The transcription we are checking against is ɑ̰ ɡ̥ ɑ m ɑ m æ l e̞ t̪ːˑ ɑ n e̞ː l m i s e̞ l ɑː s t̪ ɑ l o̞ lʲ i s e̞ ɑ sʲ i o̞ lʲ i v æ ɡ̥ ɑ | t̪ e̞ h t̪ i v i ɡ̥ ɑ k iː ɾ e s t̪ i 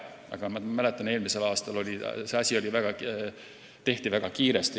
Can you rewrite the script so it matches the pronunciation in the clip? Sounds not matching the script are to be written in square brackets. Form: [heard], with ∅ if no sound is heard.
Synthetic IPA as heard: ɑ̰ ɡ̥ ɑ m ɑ m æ l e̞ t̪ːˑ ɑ n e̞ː l m i s e̞ l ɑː s t̪ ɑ l o̞ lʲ i s e̞ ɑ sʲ i o̞ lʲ i v æ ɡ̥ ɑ | t̪ e̞ h t̪ i v [æ] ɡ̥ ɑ k iː ɾ e s t̪ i